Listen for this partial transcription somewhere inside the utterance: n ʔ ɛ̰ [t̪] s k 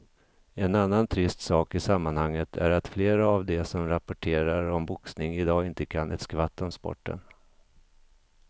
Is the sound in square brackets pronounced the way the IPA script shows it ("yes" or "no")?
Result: yes